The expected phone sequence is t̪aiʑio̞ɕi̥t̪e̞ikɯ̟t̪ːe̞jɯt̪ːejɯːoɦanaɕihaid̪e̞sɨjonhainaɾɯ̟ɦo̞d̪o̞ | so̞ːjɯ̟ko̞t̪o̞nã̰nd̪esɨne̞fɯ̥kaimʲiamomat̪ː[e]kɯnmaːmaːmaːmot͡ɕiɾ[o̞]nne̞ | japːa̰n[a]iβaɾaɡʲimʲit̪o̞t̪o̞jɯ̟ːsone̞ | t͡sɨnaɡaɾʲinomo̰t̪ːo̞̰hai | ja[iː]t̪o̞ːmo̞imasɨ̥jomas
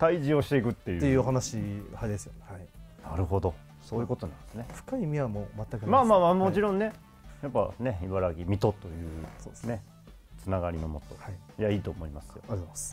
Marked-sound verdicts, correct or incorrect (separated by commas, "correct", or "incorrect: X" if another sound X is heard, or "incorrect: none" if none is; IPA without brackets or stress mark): incorrect: a, incorrect: õ̞, incorrect: e, correct